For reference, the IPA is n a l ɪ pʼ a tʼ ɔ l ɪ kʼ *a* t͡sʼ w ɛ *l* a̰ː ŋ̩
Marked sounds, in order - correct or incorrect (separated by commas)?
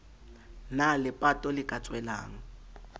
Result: correct, correct